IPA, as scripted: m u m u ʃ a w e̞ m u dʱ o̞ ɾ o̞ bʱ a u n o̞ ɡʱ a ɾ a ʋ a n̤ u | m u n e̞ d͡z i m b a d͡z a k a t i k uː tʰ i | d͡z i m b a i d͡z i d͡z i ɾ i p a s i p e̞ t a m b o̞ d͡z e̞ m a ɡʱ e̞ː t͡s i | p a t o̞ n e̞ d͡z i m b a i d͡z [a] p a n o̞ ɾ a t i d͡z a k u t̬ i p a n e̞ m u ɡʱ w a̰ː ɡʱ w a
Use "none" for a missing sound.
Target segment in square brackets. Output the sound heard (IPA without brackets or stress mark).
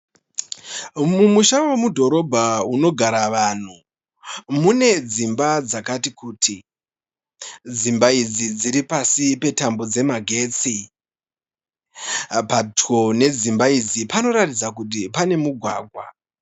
i